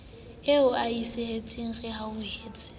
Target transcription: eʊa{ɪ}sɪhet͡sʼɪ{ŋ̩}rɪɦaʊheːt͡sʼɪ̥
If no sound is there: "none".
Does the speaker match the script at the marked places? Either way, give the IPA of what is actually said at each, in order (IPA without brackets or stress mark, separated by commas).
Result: i, ŋ̩